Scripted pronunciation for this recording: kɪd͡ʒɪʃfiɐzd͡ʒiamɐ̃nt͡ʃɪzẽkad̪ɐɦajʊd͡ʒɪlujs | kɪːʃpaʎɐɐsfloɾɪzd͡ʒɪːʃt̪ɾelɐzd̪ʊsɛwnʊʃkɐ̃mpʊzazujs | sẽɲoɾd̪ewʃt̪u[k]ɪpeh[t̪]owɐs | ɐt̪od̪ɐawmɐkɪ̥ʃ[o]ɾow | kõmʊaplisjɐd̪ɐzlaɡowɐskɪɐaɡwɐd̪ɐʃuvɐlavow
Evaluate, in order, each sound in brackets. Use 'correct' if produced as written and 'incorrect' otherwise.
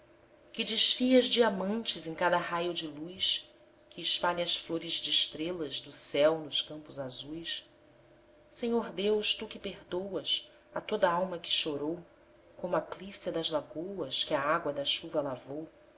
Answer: correct, incorrect: d̪, correct

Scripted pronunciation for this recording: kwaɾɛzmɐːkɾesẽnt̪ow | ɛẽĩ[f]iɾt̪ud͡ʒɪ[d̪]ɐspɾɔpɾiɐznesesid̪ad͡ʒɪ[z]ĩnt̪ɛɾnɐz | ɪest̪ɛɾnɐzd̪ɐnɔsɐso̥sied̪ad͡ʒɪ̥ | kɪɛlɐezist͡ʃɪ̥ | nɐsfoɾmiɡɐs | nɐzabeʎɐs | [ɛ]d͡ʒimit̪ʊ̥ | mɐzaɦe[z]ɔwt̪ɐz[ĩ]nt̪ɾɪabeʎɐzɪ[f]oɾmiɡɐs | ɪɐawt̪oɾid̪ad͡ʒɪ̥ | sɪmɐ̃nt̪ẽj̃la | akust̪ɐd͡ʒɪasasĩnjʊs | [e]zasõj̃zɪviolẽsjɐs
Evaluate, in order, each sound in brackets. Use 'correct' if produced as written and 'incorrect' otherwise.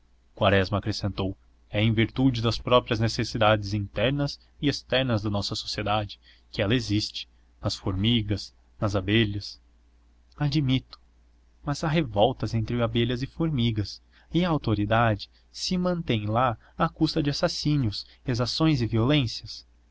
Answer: incorrect: v, correct, correct, incorrect: a, incorrect: v, incorrect: ẽ, correct, correct

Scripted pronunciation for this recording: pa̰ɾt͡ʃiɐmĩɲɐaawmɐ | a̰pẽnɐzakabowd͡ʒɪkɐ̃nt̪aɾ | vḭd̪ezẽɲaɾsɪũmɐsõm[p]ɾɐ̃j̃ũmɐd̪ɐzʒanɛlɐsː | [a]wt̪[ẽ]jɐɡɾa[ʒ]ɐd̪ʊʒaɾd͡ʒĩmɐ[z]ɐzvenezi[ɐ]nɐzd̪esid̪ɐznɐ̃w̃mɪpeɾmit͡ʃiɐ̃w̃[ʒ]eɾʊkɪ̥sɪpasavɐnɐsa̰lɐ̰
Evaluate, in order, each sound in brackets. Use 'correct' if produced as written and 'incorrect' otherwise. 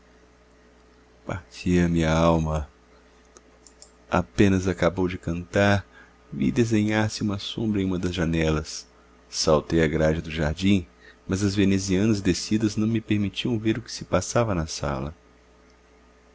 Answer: incorrect: b, correct, incorrect: e, correct, correct, incorrect: ɐ̃, incorrect: v

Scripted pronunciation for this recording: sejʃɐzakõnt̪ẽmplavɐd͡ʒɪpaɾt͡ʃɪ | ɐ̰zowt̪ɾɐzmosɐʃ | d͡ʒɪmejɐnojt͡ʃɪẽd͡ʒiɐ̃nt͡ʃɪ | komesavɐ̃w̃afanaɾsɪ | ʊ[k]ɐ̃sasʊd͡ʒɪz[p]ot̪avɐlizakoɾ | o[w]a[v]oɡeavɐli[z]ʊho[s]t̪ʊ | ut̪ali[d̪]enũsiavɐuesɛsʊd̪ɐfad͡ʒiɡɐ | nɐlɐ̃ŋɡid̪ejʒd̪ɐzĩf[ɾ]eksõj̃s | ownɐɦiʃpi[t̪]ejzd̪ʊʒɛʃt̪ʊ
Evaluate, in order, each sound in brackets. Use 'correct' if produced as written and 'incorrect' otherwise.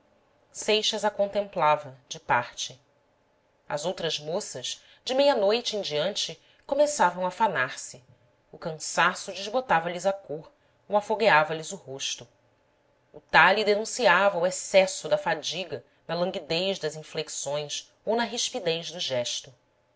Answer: correct, incorrect: b, correct, incorrect: f, correct, incorrect: ʃ, correct, incorrect: l, incorrect: d̪

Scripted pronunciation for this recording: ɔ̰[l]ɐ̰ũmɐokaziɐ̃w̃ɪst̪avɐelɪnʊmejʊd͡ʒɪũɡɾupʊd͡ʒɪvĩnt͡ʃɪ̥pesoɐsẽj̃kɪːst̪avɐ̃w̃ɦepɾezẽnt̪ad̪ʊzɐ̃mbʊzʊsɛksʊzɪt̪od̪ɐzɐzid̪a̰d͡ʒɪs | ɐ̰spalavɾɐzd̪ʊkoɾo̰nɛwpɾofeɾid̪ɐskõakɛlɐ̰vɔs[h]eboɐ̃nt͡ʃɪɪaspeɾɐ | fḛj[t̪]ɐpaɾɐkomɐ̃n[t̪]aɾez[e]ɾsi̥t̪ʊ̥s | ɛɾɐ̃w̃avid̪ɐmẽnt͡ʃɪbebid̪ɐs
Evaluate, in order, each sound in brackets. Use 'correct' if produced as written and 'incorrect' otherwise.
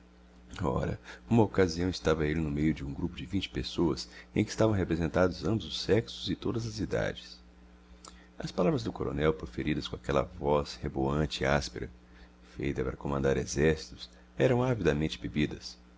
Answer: incorrect: ɾ, correct, correct, incorrect: d̪, incorrect: ɛ

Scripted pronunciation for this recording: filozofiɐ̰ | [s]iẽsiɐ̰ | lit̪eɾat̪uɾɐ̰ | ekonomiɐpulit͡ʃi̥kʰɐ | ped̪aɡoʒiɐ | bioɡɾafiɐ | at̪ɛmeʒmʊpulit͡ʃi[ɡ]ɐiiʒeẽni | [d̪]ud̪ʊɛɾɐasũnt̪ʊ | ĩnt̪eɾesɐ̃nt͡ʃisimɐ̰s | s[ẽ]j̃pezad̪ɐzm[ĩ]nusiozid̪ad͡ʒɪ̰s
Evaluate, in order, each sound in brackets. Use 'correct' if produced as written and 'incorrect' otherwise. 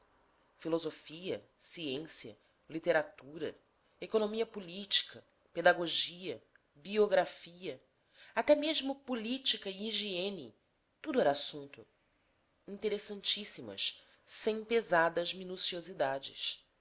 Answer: correct, incorrect: k, incorrect: t̪, correct, incorrect: i

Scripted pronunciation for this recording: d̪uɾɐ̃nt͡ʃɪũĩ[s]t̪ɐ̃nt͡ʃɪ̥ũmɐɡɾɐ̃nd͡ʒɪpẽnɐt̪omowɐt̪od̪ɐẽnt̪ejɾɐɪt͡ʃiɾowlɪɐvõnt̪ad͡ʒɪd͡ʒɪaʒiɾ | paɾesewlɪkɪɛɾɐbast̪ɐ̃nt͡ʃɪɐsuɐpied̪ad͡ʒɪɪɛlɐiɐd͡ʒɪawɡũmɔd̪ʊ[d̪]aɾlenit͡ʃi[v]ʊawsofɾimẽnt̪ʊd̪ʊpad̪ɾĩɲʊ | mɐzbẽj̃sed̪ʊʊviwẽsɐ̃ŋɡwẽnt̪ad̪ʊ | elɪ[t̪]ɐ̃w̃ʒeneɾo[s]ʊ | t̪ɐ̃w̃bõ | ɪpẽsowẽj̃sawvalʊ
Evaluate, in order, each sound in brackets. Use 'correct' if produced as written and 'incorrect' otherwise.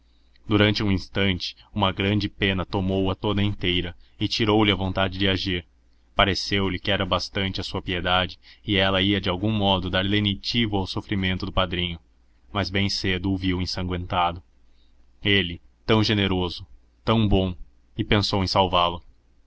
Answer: correct, correct, correct, correct, incorrect: z

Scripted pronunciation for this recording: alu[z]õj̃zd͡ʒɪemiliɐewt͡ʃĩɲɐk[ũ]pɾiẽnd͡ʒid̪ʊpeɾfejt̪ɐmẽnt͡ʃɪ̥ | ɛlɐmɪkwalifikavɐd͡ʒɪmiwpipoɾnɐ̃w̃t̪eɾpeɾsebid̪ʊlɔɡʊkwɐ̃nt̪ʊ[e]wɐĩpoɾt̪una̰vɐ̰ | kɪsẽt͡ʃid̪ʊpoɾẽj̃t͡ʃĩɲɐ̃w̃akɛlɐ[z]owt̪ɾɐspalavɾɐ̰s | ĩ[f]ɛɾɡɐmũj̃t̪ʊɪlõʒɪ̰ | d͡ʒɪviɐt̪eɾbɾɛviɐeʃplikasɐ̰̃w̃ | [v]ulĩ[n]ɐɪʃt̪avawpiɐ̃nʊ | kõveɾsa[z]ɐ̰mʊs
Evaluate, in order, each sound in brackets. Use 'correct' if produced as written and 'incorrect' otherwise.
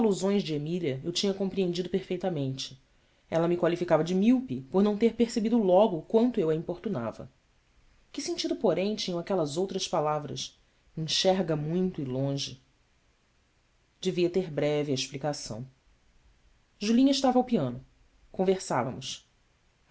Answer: correct, incorrect: õ, correct, correct, incorrect: ʃ, incorrect: ʒ, incorrect: ɲ, incorrect: v

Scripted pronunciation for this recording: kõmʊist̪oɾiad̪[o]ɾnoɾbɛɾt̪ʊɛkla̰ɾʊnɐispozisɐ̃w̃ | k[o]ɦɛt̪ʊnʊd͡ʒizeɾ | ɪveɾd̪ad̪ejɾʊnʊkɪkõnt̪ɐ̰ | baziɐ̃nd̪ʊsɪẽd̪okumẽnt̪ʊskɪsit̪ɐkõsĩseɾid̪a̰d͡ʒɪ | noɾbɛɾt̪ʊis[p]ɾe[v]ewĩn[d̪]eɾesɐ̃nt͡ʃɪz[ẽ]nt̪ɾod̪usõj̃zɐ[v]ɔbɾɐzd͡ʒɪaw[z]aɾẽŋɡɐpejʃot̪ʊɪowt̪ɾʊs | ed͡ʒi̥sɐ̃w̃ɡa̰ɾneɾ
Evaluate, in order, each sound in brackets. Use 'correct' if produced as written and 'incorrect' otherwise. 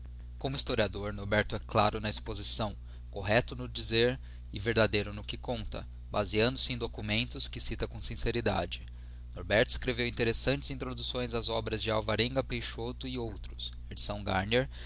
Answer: correct, correct, incorrect: k, correct, incorrect: t̪, incorrect: ĩ, incorrect: z, incorrect: v

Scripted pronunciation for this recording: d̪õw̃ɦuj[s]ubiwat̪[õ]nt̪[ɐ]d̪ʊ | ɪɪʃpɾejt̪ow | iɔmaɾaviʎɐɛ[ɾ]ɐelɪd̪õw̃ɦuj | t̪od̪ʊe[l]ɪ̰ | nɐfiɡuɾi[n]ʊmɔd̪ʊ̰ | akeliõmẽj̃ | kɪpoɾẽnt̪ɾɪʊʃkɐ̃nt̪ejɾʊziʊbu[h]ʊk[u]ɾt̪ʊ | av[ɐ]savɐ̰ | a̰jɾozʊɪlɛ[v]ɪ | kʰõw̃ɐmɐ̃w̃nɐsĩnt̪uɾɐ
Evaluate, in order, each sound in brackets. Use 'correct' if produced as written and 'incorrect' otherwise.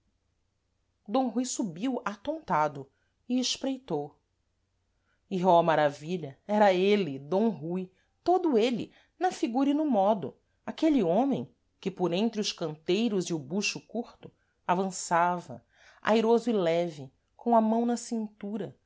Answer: correct, correct, incorrect: a, correct, correct, correct, incorrect: ʃ, correct, incorrect: ɐ̃, correct

